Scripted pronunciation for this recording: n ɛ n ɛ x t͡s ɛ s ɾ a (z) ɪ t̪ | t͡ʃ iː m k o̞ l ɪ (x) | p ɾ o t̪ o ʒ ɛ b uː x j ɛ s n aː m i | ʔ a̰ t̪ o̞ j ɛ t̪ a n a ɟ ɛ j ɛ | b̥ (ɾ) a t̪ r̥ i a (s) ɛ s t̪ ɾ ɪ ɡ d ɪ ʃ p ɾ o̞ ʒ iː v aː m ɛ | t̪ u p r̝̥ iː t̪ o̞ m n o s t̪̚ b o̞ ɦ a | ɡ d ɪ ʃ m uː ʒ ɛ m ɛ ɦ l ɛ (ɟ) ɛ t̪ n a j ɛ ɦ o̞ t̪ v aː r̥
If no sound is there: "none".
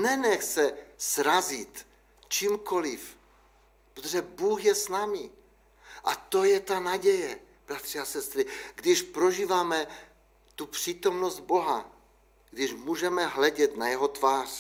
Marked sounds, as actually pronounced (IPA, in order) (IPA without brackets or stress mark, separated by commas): z, f, ɾ, s, ɟ